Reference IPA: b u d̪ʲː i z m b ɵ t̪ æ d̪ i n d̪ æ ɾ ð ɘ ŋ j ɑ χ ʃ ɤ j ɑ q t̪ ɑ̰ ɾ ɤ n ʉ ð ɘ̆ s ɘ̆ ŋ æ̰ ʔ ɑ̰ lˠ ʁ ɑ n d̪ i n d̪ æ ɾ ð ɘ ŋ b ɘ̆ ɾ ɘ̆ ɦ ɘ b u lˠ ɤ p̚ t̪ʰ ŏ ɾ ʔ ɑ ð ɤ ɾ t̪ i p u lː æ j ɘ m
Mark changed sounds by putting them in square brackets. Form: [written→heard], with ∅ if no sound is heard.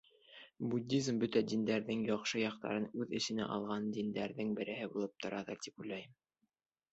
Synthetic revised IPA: b u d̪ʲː i z m b ɵ t̪ æ d̪ i n d̪ æ ɾ ð ɘ ŋ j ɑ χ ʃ ɤ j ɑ q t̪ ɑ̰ ɾ ɤ n ʉ ð ɘ̆ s ɘ̆ [ŋ→n] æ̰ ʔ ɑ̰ lˠ ʁ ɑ n d̪ i n d̪ æ ɾ ð ɘ ŋ b ɘ̆ ɾ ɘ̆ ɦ ɘ b u lˠ ɤ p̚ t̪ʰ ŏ ɾ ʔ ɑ ð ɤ ɾ t̪ i p u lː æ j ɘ m